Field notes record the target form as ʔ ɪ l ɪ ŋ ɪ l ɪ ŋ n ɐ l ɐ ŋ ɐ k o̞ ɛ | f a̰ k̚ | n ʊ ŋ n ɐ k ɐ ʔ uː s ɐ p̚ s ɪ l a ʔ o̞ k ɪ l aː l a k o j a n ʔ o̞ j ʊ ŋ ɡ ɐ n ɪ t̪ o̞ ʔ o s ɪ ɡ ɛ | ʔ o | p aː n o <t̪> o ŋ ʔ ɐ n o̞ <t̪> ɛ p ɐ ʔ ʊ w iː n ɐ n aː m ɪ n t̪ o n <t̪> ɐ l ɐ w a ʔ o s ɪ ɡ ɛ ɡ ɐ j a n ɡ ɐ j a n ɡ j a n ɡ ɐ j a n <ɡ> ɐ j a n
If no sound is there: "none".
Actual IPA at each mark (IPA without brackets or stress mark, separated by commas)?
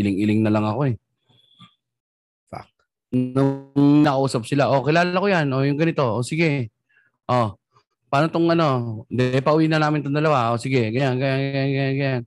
t̪, d̪, d̪, ɡ